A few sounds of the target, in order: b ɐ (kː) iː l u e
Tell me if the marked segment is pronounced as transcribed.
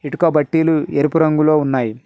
no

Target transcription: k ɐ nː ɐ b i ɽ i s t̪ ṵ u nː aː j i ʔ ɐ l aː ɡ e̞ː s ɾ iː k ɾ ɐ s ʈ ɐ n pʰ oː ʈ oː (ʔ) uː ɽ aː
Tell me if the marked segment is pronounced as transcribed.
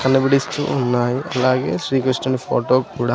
no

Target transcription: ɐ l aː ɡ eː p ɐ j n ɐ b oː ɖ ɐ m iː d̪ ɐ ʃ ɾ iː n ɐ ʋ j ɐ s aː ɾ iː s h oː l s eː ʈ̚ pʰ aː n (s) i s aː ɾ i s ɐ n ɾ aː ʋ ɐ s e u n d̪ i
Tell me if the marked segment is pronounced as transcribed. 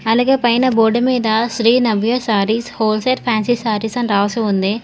yes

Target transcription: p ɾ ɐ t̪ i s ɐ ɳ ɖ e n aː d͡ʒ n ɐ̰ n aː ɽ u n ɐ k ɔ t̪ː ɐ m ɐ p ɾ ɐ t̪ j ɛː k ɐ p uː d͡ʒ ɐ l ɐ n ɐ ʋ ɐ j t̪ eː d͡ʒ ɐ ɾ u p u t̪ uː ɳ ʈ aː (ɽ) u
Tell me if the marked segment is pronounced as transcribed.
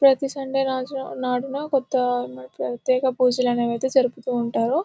no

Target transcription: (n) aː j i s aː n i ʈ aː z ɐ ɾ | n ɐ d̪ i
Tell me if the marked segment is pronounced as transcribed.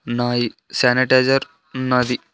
yes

